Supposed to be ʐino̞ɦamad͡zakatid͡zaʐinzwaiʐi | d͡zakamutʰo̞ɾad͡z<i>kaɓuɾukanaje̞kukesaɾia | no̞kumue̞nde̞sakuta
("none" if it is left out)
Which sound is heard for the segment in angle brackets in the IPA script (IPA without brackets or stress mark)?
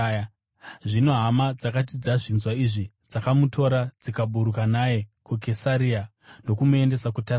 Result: i